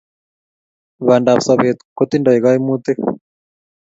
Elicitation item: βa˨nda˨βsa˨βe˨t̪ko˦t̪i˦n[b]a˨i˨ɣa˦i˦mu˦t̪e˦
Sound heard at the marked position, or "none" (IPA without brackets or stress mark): d